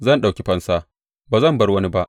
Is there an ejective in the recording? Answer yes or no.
no